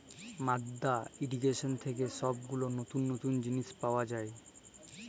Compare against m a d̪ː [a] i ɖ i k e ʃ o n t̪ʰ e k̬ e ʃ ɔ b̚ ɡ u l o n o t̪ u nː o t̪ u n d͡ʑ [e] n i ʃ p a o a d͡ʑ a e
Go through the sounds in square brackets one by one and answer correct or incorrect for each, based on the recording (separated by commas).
correct, incorrect